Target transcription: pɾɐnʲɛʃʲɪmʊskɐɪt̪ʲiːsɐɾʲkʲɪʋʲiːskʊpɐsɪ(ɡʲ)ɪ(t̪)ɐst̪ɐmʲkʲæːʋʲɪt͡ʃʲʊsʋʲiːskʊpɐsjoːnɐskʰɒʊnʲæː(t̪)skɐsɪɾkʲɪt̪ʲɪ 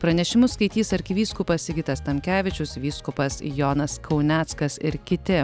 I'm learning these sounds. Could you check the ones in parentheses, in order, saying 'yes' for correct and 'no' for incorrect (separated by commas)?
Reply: yes, yes, yes